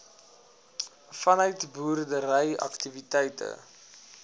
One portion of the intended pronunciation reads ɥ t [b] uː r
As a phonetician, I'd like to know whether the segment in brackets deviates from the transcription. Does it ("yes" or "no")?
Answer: no